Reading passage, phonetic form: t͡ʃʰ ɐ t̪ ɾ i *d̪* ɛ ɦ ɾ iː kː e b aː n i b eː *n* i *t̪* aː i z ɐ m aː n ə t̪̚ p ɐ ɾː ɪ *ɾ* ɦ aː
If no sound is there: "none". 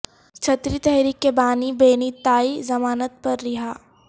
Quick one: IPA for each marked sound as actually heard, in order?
t̪, n, t̪, none

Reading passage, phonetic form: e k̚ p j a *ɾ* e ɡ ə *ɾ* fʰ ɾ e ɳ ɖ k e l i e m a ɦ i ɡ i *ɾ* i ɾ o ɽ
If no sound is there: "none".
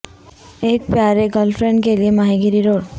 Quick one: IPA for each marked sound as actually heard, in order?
ɾ, l, ɾ

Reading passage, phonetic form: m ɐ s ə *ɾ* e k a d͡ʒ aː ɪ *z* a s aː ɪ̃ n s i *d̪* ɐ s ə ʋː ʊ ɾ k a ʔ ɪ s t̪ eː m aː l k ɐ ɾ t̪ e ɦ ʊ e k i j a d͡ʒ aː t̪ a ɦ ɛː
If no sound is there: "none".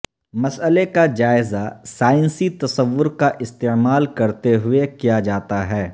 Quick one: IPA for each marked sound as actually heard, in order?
l, z, t̪

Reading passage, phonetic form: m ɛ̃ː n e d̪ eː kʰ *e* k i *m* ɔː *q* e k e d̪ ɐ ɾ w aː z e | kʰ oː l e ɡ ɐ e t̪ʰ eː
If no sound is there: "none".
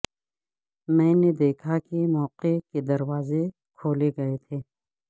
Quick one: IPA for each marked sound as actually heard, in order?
a, m, q

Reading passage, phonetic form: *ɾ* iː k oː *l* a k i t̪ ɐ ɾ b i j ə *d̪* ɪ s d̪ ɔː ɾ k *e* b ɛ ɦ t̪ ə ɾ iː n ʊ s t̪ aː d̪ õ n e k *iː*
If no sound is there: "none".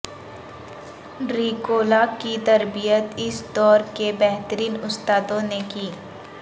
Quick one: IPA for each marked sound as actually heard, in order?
ɾ, l, t̪, e, iː

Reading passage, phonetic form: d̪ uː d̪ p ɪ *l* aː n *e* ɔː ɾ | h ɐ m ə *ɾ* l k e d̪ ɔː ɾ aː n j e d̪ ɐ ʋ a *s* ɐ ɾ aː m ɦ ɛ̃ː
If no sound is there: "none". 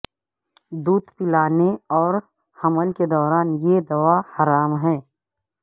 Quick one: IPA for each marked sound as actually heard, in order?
l, e, none, h

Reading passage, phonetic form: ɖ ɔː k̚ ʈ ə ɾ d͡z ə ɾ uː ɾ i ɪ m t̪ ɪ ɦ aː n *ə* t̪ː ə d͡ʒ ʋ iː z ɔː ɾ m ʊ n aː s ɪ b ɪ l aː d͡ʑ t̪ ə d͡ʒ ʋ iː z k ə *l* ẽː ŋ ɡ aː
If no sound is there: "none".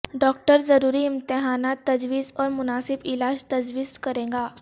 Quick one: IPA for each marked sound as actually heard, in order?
a, ɾ

